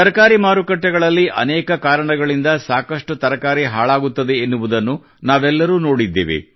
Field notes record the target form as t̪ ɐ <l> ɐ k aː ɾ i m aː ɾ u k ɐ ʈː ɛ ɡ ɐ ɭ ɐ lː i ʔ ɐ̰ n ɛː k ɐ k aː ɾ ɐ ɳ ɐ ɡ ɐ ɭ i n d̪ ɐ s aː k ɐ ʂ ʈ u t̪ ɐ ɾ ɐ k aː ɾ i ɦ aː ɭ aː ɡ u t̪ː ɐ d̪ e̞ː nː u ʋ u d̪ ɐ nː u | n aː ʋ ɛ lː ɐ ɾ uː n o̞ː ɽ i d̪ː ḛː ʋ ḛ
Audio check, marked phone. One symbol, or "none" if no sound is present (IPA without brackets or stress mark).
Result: ɾ